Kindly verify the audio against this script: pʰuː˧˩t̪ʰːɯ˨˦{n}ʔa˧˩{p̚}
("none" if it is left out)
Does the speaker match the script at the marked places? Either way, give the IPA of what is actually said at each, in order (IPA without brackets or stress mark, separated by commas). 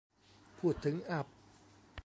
ŋ, p̚